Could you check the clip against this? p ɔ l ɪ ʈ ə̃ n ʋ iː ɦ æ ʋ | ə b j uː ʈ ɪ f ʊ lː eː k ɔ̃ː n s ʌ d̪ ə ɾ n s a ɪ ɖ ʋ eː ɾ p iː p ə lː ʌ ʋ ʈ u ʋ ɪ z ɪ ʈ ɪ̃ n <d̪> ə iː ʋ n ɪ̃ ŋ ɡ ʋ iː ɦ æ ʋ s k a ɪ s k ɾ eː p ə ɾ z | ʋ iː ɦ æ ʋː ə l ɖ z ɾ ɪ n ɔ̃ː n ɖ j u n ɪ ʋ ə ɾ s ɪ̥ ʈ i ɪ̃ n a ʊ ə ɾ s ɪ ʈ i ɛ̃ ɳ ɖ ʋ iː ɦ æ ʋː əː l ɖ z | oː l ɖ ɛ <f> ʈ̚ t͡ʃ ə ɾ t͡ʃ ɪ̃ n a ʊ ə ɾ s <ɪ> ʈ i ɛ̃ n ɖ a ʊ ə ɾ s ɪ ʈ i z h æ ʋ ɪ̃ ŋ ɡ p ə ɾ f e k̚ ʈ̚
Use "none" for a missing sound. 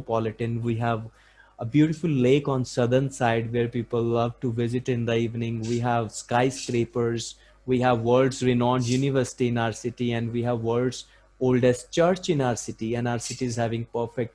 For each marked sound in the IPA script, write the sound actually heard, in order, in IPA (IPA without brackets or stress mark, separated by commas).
d̪, s, ɪ